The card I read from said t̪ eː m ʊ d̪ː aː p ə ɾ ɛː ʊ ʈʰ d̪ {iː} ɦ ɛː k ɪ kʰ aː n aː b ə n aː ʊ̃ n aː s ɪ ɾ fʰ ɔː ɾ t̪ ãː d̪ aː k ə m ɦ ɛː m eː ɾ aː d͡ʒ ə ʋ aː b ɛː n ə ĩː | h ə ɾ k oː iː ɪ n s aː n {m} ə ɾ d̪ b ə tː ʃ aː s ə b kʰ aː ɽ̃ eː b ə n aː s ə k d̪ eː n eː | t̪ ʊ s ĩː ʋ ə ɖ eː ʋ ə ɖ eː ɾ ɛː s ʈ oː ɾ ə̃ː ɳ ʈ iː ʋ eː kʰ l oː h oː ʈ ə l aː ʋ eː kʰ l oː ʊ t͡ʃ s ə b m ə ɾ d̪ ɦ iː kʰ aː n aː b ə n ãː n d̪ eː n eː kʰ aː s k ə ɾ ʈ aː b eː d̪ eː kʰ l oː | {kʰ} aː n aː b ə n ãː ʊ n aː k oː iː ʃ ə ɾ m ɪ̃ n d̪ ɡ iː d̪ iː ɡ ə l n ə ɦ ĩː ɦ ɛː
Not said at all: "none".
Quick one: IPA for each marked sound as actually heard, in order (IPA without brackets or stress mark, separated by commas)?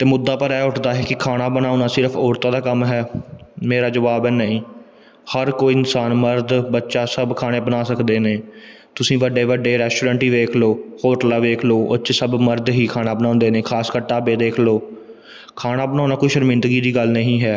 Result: aː, m, kʰ